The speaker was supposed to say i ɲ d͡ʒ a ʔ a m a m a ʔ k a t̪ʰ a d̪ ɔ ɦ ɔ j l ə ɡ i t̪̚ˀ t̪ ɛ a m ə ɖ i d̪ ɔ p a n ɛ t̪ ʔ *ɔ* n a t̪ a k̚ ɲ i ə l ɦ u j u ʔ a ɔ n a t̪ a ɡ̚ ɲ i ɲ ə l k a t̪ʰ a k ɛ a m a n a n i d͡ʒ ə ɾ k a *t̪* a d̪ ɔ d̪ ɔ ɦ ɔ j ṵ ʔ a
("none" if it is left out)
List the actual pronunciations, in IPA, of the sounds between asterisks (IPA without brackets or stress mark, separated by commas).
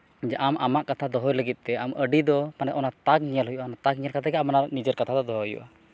ɔ, t̪ʰ